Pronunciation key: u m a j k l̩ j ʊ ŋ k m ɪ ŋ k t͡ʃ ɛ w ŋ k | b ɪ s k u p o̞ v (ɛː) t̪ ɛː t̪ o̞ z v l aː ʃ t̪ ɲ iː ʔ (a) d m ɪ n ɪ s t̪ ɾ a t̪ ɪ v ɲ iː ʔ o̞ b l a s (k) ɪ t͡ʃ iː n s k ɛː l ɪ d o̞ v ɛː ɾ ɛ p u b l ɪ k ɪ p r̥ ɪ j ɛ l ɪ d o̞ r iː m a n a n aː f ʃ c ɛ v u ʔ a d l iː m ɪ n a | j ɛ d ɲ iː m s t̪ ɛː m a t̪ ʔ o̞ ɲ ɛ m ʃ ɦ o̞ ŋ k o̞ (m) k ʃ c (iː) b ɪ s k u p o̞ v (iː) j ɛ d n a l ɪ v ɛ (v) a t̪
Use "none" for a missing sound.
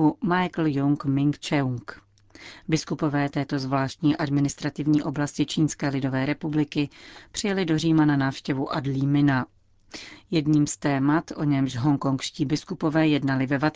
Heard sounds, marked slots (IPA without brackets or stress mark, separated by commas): ɛː, a, c, ŋ, iː, ɛː, v